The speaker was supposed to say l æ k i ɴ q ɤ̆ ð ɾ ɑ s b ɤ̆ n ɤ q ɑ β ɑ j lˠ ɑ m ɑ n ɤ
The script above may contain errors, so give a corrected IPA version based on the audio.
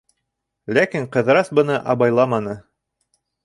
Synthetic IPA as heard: l æ k i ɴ q ɤ̆ ð ɾ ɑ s b ɤ̆ n ɤ ʔ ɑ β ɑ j lˠ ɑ m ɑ n ɤ